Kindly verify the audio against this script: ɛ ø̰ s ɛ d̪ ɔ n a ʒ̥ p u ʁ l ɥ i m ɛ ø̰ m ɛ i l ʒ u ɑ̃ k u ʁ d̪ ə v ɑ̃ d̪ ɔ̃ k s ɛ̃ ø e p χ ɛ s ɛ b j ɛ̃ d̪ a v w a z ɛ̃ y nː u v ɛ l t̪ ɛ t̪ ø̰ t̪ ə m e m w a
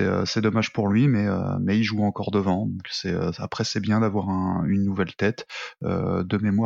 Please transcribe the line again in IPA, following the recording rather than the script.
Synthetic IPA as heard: ɛ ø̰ s ɛ d̪ ɔ m a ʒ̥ p u ʁ l ɥ i m ɛ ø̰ m ɛ i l ʒ u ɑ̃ k ɔ ʁ d̪ ə v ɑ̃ d̪ ɔ̃ k s ɛ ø a p χ ɛ s ɛ b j ɛ̃ d̪ a v w a ʁ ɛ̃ y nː u v ɛ l t̪ ɛ t̪ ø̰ d̪ ə m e m w a